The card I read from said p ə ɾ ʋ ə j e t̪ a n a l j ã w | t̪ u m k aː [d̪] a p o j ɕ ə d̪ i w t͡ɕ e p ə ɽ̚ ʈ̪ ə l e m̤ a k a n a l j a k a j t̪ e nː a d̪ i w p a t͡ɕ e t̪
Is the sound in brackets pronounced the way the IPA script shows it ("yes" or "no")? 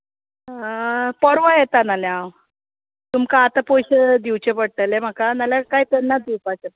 no